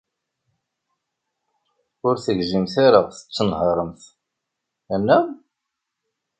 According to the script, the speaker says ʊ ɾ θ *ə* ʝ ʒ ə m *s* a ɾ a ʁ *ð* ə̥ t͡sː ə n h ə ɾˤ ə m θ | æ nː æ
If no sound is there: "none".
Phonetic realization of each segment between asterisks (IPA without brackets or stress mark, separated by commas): ə, θ, θ